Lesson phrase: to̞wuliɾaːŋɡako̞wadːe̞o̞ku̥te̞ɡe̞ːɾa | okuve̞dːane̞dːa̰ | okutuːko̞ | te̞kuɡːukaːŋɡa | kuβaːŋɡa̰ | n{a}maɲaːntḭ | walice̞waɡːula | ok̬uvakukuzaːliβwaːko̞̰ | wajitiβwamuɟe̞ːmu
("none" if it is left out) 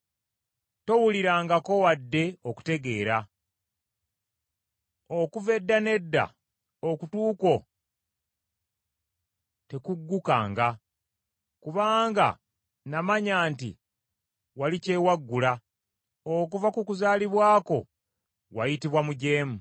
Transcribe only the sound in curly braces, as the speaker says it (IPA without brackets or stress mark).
a